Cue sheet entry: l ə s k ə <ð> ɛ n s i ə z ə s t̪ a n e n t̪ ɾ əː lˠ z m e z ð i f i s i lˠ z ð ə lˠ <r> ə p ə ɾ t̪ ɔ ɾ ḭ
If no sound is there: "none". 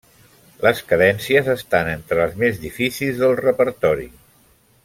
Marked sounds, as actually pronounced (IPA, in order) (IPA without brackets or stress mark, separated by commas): ð, r